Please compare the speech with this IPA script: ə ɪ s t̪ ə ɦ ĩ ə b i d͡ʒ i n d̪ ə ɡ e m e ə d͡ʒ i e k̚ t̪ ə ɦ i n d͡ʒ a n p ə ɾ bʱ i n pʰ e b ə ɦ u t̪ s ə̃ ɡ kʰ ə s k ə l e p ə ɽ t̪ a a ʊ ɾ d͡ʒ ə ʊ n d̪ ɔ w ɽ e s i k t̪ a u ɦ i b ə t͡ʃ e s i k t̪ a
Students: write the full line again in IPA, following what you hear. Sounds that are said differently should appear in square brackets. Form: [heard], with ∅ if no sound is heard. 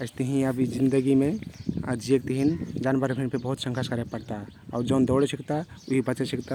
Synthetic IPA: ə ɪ s t̪ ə ɦ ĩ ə b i d͡ʒ i n d̪ ə ɡ [i] m e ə d͡ʒ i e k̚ t̪ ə ɦ i n d͡ʒ a n [b] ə ɾ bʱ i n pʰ e b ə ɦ u t̪ s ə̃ [ŋ] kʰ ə s k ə [ɾ] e p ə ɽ t̪ a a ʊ ɾ d͡ʒ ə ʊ n d̪ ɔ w ɽ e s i k t̪ a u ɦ i b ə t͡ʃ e s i k t̪ a